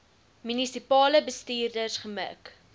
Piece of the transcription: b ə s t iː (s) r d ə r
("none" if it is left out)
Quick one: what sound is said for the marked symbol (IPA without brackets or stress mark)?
none